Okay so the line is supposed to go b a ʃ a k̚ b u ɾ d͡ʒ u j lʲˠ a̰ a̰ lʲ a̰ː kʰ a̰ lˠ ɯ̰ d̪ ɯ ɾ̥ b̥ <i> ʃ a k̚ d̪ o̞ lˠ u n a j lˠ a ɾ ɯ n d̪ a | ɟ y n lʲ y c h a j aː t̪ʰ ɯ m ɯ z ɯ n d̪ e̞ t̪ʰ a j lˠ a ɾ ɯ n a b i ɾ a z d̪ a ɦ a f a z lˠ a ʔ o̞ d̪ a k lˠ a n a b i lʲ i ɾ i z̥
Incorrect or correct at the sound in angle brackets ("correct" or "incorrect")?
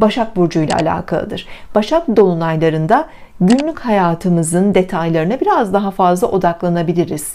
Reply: incorrect